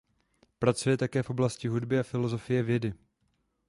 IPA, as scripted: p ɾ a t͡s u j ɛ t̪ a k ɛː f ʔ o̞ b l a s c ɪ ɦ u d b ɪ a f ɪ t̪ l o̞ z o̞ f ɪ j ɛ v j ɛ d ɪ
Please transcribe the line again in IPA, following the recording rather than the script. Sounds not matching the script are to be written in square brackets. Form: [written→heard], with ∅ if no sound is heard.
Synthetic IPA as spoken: p ɾ a t͡s u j ɛ t̪ a k ɛː f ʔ o̞ b l a s c ɪ ɦ u d b ɪ a f ɪ [t̪→∅] l o̞ z o̞ f ɪ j ɛ v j ɛ d ɪ